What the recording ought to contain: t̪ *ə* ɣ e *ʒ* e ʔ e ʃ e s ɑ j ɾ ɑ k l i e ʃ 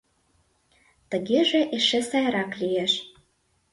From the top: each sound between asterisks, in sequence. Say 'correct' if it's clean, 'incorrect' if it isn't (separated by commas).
correct, correct